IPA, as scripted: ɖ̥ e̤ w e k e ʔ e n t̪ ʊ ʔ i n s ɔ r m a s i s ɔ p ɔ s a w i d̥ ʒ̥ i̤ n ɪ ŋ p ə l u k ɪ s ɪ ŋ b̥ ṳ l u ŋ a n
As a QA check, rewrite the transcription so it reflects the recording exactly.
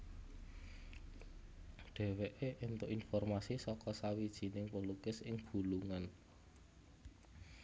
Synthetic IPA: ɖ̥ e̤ w e ʔ e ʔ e n t̪ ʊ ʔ i n f ɔ r m a s i s ɔ k ɔ s a w i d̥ ʒ̥ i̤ n ɪ ŋ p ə l u k ɪ s ɪ ŋ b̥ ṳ l u ŋ a n